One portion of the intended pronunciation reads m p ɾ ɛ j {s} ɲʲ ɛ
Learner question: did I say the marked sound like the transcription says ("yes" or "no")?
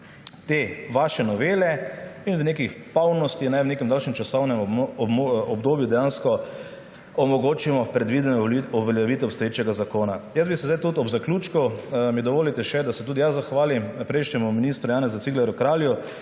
no